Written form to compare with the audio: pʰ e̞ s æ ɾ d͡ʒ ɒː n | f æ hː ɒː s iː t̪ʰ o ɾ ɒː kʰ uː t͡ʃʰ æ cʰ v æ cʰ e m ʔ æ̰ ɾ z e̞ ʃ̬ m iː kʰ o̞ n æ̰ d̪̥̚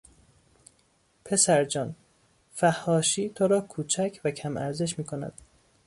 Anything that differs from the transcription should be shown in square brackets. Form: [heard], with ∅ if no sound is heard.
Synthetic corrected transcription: pʰ e̞ s æ ɾ d͡ʒ ɒː n | f æ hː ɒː [ʃ] iː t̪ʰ o ɾ ɒː kʰ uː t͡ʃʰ æ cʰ v æ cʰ [æ] m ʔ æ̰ ɾ z e̞ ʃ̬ m iː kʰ o̞ n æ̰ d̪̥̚